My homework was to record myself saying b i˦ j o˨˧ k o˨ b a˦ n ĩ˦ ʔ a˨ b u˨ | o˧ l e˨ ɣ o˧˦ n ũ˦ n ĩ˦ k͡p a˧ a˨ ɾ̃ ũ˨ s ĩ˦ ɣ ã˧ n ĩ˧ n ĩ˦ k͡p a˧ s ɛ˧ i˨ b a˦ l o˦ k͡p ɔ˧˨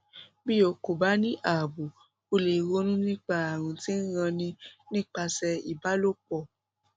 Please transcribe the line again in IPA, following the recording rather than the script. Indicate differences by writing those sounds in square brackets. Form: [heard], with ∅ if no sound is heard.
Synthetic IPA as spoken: b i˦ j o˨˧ k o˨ b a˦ n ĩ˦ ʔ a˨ b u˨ | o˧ l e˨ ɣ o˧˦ n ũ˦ n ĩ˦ k͡p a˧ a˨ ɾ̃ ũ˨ [t] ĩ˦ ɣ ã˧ n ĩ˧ n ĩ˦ k͡p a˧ s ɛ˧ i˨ b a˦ l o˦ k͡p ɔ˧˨